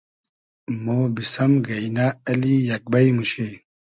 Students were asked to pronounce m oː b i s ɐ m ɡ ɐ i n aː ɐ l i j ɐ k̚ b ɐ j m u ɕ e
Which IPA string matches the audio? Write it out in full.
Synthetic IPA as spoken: m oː b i s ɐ m ɡ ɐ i n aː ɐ l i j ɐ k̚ b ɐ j m u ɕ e

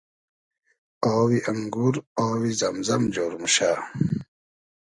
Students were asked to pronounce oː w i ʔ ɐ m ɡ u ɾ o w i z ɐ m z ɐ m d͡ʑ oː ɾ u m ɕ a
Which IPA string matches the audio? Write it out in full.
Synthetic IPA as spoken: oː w i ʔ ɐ ŋ ɡ u ɾ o w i z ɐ m z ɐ m d͡ʑ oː ɾ u m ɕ a

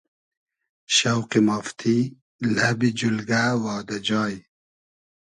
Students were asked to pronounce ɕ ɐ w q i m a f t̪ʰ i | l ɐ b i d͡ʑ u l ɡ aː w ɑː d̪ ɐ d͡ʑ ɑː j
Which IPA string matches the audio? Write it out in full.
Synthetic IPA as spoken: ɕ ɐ w q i m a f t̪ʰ i | l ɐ b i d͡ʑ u l ɡ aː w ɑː d̪ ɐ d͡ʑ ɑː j

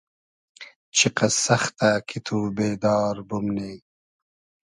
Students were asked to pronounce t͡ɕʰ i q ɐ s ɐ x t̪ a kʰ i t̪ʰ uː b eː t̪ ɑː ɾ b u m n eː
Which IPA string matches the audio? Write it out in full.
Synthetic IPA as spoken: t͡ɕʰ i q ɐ s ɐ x t̪ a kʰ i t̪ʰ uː b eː d̪ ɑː ɾ b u m n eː

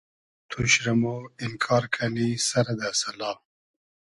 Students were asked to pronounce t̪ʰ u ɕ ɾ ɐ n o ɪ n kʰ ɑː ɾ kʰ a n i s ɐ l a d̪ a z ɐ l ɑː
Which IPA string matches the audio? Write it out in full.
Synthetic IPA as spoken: t̪ʰ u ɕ ɾ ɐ m o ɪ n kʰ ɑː ɾ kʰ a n i s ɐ ɾ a d̪ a s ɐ l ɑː

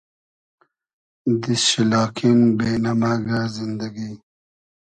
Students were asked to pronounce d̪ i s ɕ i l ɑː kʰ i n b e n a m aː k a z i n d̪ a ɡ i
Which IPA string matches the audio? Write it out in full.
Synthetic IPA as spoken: d̪ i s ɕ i l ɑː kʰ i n b e n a m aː ɡ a z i n d̪ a ɡ i

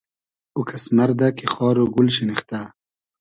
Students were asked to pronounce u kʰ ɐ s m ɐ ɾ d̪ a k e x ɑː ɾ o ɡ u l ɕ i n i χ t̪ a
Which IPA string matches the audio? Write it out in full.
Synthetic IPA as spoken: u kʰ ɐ s m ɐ ɾ d̪ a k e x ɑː ɾ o ɡ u l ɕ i n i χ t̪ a

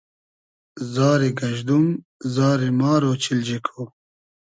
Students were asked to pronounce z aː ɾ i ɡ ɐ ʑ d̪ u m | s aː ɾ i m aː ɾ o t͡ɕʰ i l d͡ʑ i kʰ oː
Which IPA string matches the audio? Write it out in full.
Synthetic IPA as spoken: z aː ɾ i ɡ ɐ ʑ d̪ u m | z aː ɾ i m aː ɾ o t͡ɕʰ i l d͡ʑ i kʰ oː

